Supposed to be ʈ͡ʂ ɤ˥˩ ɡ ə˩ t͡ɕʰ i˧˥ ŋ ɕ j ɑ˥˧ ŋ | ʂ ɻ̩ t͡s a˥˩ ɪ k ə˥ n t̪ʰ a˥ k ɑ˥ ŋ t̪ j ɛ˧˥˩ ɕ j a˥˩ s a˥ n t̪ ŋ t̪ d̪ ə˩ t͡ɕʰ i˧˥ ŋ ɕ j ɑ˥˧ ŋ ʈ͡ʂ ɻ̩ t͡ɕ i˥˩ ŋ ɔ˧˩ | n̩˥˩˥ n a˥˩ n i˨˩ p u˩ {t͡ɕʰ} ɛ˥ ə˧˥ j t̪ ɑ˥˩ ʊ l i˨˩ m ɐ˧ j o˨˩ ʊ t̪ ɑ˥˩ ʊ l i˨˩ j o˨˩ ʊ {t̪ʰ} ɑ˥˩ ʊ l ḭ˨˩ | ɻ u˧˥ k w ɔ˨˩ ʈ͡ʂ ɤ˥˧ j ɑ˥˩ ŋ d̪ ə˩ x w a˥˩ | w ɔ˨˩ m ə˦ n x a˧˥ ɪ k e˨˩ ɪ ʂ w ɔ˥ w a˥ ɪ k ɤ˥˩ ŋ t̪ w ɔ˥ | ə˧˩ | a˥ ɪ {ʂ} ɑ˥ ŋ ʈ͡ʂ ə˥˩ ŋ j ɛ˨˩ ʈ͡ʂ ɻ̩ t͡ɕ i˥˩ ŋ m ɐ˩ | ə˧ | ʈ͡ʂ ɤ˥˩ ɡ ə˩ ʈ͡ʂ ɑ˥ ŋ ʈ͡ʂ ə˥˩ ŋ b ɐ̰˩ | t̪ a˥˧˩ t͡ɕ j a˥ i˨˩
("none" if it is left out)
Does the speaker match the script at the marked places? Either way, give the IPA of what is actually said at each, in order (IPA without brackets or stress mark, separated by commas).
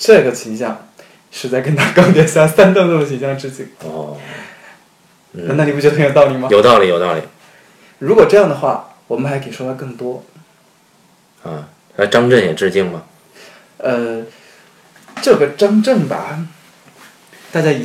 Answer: t͡ɕ, t̪, ʈ͡ʂ